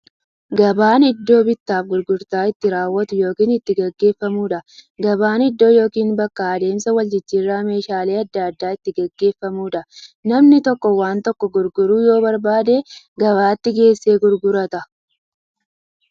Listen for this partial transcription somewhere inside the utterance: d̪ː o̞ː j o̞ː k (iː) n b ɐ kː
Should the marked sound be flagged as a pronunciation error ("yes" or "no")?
no